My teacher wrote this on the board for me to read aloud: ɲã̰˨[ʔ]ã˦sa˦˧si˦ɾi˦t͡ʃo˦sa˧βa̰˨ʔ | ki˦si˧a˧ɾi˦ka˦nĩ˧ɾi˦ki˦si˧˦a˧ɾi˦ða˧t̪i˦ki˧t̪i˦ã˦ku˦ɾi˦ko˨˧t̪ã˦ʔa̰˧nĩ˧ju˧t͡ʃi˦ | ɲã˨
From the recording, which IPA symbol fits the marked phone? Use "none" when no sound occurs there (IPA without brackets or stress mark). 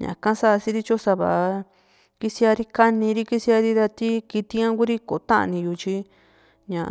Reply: k